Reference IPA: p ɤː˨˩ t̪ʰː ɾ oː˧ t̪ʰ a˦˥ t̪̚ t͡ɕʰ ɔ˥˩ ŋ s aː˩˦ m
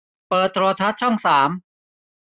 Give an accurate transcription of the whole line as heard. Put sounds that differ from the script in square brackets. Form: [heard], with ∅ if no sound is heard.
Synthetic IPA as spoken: p ɤː˨˩ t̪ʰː ɾ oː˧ t̪ʰ a˦˥ t̪̚ t͡ɕʰ ɔ˥˩ ŋ s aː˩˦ m